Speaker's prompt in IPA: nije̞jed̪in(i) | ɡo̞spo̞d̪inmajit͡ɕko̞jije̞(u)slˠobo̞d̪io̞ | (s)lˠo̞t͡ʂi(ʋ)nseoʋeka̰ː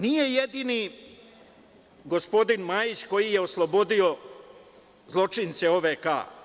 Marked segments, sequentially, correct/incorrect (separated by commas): correct, incorrect, incorrect, incorrect